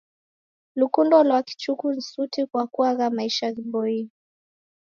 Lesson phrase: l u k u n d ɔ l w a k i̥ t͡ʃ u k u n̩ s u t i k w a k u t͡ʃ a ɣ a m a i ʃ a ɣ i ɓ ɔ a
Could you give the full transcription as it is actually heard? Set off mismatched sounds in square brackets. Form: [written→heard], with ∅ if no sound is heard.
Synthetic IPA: l u k u n d ɔ l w a k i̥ t͡ʃ u k u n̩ s u t i k w a k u [t͡ʃ→∅] a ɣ a m a i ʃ a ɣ i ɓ ɔ [a→i]